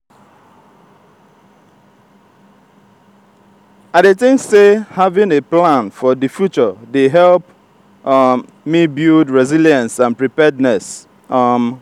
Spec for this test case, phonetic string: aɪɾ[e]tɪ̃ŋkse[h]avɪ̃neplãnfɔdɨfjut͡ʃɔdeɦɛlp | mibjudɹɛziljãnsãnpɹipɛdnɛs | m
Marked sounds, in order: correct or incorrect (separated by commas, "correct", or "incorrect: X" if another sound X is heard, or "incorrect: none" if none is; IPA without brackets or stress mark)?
correct, correct